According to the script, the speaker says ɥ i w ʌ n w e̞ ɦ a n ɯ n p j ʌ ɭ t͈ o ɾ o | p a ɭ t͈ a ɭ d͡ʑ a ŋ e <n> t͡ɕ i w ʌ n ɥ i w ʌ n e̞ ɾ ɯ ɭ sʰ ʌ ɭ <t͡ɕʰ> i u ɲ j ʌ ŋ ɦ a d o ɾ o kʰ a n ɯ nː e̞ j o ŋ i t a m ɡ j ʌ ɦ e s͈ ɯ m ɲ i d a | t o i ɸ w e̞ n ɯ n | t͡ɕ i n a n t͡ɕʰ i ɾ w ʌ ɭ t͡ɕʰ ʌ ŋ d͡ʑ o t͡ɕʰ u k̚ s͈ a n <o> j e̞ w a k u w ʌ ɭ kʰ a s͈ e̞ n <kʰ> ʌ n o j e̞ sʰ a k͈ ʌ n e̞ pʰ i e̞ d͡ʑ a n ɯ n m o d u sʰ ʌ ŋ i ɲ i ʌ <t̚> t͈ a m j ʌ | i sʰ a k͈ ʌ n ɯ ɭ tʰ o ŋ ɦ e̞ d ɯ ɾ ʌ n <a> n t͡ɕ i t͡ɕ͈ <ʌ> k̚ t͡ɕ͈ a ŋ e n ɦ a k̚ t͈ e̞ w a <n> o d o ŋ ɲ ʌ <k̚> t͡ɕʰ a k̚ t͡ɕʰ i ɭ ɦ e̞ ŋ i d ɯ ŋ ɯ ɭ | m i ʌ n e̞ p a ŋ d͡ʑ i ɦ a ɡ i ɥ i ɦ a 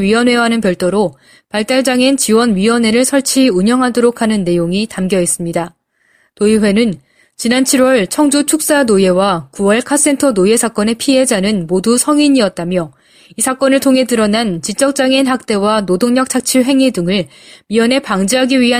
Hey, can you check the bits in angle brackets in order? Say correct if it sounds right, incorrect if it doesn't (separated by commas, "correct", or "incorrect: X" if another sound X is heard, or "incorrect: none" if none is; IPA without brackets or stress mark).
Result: correct, correct, correct, incorrect: tʰ, correct, correct, correct, correct, correct